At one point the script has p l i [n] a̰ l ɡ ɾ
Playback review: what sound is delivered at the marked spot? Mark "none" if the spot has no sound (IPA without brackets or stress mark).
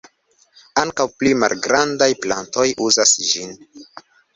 m